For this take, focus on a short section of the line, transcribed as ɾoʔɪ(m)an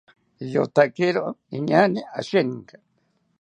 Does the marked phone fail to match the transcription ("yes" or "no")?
yes